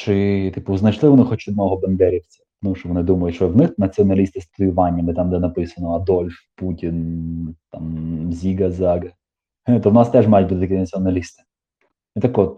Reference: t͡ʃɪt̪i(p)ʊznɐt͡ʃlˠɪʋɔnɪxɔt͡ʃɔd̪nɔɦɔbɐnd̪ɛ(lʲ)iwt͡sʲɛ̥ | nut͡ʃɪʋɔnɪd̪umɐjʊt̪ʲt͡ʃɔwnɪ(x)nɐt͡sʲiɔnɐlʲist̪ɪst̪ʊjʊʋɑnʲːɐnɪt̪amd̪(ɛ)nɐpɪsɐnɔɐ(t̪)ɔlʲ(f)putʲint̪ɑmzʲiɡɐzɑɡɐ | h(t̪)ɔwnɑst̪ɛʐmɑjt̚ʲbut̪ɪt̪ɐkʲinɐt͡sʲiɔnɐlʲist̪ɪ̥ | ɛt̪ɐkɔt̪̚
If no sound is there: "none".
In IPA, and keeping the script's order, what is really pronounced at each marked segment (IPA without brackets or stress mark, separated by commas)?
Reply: p, ɾʲ, x, ɛ, d̪, f, t̪